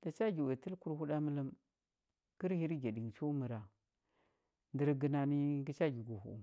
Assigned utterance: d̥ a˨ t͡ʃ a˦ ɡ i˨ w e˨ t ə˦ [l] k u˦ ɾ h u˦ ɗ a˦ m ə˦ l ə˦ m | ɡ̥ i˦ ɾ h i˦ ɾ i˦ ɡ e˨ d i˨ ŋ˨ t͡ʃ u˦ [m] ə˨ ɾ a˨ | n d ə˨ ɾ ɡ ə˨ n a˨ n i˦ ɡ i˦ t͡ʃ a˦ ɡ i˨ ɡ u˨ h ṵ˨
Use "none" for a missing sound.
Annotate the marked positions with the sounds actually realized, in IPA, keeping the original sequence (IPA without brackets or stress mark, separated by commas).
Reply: l, m